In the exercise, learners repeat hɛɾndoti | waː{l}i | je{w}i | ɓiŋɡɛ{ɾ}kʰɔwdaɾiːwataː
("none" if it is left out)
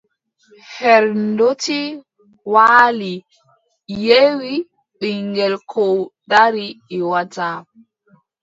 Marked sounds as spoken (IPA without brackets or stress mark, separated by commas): l, w, l